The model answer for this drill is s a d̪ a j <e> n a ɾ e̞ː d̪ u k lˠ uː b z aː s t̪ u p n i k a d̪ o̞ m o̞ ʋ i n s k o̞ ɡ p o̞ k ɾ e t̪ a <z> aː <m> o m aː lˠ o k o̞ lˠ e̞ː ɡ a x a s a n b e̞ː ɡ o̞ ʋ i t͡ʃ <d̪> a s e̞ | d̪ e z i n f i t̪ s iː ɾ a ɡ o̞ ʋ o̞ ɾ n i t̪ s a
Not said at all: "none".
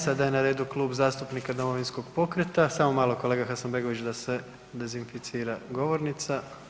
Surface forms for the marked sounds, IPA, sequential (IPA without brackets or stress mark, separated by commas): e, s, m, d̪